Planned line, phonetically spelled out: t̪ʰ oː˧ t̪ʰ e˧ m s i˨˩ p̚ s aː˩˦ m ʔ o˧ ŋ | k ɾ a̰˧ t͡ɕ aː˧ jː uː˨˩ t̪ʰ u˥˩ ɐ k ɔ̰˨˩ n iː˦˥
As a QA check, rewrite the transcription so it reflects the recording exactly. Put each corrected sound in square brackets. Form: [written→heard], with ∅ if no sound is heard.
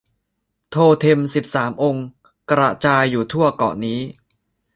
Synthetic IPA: t̪ʰ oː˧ t̪ʰ e˧ m s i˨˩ p̚ s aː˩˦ m ʔ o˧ ŋ | k ɾ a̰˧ t͡ɕ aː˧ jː uː˨˩ t̪ʰ u˥˩ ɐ k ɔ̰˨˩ n iː˦˥